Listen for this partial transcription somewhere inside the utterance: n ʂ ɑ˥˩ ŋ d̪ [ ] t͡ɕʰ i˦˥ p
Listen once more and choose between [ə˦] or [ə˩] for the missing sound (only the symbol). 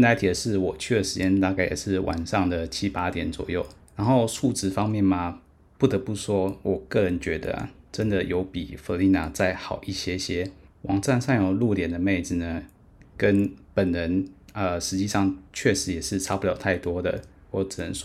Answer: ə˩